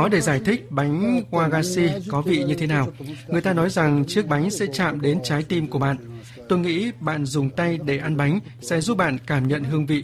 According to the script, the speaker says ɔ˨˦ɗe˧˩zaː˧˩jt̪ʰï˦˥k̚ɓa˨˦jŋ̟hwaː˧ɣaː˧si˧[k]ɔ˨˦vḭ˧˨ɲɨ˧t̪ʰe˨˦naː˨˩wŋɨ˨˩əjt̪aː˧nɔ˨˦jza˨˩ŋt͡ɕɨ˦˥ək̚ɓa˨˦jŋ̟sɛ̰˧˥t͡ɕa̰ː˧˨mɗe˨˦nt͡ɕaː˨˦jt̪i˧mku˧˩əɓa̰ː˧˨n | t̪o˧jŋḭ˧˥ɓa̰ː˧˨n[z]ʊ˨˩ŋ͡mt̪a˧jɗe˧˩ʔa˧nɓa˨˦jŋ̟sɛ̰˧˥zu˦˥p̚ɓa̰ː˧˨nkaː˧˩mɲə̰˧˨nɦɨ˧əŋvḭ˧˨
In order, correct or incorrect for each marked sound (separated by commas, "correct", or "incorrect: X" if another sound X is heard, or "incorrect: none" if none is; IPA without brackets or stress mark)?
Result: correct, correct